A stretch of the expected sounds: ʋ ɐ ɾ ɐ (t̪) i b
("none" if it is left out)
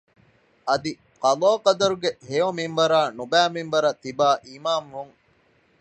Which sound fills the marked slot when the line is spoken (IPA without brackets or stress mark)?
t̪